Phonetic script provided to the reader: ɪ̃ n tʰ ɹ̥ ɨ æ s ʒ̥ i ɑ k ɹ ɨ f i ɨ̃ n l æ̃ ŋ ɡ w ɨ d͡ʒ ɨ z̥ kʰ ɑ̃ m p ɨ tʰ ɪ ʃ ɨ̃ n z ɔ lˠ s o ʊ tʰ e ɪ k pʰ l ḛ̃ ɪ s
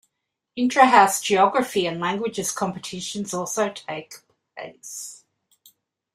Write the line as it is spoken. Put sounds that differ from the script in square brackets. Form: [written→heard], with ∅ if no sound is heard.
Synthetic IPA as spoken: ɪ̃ n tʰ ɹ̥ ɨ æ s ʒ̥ i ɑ [k→ɡ] ɹ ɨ f i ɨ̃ n l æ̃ ŋ ɡ w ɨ d͡ʒ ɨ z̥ kʰ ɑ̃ m p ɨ tʰ ɪ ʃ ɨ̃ n z ɔ lˠ s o ʊ tʰ e ɪ k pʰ l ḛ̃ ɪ s

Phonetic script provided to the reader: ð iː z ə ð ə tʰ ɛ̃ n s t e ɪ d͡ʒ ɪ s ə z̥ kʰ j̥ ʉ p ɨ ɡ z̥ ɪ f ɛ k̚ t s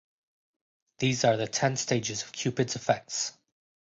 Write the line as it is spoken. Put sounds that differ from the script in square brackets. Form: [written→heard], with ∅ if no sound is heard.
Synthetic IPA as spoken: ð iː z ə ð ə tʰ ɛ̃ n s t e ɪ d͡ʒ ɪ [s→z] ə [z̥→v̥] kʰ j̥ ʉ p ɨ [ɡ→d] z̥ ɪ f ɛ k̚ t s

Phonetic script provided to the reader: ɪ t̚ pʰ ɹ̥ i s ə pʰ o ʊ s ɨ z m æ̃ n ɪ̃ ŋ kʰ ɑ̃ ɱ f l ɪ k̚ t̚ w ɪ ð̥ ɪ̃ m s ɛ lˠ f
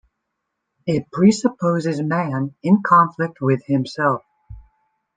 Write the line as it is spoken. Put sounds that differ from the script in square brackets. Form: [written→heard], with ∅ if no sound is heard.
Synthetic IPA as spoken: ɪ t̚ pʰ ɹ̥ i s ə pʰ o ʊ [s→z] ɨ z m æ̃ n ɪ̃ [ŋ→n] kʰ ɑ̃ ɱ f l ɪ k̚ t̚ w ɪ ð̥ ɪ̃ m s ɛ lˠ f

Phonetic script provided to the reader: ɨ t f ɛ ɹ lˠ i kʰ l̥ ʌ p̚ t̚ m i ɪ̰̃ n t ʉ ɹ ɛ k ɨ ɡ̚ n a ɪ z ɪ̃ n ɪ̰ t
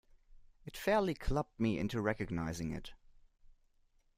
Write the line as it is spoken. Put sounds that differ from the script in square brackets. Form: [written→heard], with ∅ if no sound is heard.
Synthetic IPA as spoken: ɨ t f ɛ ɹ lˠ i kʰ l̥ ʌ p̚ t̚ m i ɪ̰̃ n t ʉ ɹ ɛ k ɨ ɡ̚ n a ɪ z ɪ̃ [n→ŋ] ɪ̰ t

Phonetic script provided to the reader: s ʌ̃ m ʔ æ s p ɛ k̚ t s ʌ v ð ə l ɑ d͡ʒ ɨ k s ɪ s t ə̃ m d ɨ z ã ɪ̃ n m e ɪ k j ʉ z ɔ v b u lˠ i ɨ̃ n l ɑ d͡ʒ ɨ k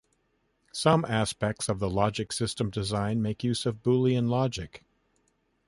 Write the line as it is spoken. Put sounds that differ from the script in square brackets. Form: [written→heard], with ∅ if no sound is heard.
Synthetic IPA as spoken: s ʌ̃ m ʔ æ s p ɛ k̚ t s ʌ v ð ə l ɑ d͡ʒ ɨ k s ɪ s t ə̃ m d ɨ z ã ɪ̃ n m e ɪ k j ʉ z [ɔ→ʌ] v b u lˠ i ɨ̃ n l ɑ d͡ʒ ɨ k

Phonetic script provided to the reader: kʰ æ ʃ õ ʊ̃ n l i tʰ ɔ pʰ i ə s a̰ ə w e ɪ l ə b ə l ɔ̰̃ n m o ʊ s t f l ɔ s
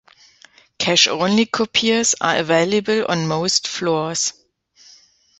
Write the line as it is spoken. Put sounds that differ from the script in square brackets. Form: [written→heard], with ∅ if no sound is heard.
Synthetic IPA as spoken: kʰ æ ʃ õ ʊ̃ n l i [tʰ→kʰ] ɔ pʰ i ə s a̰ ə [w→v] e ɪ l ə b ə l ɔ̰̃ n m o ʊ s t f l ɔ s

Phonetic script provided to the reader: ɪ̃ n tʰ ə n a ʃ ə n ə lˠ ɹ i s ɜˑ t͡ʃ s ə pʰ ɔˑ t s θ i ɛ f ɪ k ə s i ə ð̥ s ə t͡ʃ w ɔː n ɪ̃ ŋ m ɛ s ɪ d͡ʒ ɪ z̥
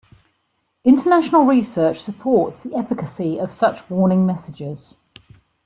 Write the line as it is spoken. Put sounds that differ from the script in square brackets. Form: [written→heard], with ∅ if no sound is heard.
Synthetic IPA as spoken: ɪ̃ n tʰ ə n a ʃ ə n ə lˠ ɹ i s ɜˑ t͡ʃ s ə pʰ ɔˑ t s [θ→ð] i ɛ f ɪ k ə s i ə [ð̥→v̥] s [ə→ʌ] t͡ʃ w ɔː n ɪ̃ ŋ m ɛ s ɪ d͡ʒ ɪ z̥

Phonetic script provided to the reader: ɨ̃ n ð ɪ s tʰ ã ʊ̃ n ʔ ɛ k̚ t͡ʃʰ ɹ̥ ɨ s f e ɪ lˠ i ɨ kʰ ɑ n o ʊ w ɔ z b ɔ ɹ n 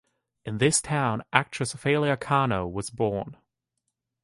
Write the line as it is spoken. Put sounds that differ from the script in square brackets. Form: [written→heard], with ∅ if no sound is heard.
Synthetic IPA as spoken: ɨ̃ n ð ɪ s tʰ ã ʊ̃ n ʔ [ɛ→æ] k̚ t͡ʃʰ ɹ̥ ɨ s f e ɪ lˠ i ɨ kʰ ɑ n o ʊ w [ɔ→ʌ] z b ɔ ɹ n

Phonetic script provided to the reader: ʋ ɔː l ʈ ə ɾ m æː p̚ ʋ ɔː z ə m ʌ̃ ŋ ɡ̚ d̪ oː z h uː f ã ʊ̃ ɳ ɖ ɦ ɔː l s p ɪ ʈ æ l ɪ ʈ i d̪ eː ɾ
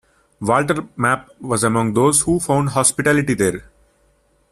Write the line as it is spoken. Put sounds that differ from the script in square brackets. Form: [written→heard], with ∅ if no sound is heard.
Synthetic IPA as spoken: ʋ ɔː l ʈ ə ɾ m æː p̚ ʋ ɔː z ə m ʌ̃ ŋ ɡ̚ d̪ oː z h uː f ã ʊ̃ ɳ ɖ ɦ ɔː [l→∅] s p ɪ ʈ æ l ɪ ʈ i d̪ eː ɾ

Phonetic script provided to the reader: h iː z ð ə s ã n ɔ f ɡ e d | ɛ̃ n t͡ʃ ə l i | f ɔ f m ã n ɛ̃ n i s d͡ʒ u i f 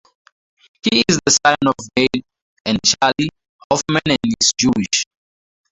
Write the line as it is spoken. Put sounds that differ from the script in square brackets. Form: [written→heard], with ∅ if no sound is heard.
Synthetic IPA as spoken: h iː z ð ə s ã n ɔ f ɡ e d | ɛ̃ n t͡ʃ [ə→a] l i | [f→h] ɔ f m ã n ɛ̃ n i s d͡ʒ u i [f→ʃ]

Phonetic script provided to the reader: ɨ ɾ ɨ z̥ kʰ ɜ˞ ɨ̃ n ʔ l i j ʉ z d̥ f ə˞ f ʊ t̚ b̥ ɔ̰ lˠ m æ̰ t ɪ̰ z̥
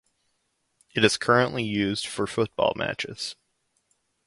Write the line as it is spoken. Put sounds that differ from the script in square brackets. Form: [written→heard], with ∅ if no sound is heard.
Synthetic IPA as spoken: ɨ ɾ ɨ z̥ kʰ ɜ˞ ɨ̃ n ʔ l i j ʉ z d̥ f ə˞ f ʊ t̚ b̥ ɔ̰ lˠ m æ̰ [t→t͡ʃ] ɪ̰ z̥

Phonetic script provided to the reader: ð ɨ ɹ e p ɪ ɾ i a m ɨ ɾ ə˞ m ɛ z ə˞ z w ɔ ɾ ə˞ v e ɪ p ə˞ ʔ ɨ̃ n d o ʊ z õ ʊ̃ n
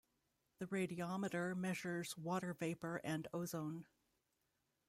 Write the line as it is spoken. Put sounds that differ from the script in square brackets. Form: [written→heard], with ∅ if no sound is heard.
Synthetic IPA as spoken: ð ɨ ɹ e [p→∅] ɪ ɾ i [a→ɑ] m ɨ ɾ ə˞ m ɛ [z→ʒ] ə˞ z w ɔ ɾ ə˞ v e ɪ p ə˞ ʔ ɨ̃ n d o ʊ z õ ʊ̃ n

